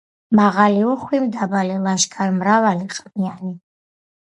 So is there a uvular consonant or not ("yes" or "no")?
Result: yes